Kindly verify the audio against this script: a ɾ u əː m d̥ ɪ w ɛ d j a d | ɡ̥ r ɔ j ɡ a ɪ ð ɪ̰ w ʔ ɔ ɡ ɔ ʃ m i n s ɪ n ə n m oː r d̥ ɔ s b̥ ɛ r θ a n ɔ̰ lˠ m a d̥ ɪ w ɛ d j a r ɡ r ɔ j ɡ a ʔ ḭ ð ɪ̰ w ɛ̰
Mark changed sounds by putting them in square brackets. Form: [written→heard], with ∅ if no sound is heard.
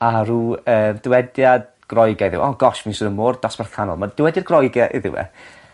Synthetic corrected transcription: a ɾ u əː m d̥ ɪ w ɛ d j a d | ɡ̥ r ɔ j ɡ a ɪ ð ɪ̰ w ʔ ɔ ɡ ɔ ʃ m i n s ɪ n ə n m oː r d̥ ɔ s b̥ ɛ r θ a n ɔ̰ lˠ m a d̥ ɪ w ɛ d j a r ɡ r ɔ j ɡ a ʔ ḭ ð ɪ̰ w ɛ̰